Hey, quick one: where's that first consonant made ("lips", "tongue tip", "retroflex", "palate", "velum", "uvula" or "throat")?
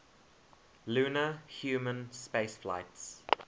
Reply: tongue tip